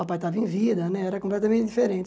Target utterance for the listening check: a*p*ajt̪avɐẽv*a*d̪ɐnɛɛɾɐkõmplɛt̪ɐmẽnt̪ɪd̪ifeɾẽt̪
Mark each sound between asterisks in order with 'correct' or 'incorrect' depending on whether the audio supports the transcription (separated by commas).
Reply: correct, incorrect